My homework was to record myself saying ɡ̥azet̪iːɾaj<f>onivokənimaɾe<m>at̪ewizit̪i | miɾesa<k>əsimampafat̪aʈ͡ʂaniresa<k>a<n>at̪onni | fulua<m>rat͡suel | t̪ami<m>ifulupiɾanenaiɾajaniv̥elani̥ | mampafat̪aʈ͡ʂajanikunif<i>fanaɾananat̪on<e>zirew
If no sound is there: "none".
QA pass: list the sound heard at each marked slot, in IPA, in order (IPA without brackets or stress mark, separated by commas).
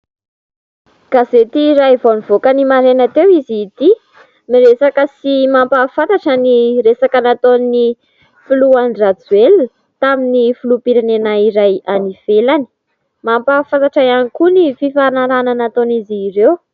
v, n, k, k, n, n, n, i, i